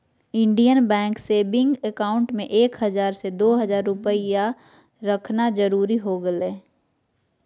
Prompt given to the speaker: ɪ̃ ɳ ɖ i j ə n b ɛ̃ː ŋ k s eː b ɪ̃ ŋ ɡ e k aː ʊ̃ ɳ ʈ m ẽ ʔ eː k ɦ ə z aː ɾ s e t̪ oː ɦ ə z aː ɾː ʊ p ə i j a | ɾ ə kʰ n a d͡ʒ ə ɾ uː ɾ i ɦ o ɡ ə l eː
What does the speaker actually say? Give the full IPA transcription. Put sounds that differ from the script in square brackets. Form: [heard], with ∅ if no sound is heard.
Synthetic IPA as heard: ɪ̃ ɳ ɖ i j ə n b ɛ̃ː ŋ k s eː b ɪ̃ ŋ ɡ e k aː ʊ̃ ɳ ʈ m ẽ ʔ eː k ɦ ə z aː ɾ s e [d̪] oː ɦ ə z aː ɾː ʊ p ə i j a | ɾ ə kʰ n a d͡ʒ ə ɾ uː ɾ i ɦ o ɡ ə l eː